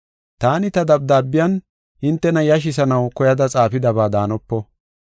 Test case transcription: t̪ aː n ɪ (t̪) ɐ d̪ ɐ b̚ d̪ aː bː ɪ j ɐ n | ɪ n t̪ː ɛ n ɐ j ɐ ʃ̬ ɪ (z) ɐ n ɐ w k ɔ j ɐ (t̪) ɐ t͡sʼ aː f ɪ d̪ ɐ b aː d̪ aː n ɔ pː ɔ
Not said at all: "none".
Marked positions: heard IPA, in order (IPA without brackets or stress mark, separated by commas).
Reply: t̪, s, d̪